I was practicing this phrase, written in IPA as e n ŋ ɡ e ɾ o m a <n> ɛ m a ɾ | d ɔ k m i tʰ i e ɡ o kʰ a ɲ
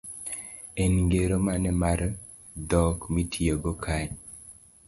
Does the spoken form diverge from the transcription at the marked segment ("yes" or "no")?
no